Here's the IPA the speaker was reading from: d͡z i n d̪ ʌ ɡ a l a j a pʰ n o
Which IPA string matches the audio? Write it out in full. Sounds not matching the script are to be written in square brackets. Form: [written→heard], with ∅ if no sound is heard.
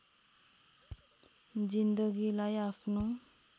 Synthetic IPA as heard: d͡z i n d̪ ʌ ɡ [a→i] l a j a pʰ n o